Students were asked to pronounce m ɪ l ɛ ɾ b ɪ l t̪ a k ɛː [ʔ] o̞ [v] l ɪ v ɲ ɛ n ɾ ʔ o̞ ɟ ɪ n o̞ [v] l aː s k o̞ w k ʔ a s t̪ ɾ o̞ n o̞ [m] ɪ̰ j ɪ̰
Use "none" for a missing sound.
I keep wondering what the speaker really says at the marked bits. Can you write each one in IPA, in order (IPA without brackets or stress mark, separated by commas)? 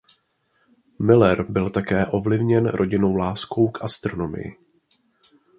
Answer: ʔ, v, w, m